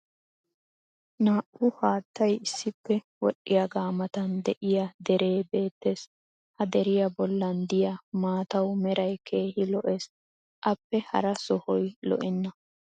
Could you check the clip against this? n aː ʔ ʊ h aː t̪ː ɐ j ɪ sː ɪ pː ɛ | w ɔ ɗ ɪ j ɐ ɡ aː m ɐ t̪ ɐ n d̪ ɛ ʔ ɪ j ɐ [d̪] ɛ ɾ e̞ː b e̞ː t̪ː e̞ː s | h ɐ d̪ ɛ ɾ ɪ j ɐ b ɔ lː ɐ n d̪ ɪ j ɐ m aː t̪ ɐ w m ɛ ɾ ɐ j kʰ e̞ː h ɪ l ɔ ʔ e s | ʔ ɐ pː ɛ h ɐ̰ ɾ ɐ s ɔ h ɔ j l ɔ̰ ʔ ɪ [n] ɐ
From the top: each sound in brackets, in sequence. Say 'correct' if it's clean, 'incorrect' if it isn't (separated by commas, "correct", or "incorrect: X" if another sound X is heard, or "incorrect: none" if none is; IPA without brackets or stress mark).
correct, incorrect: nː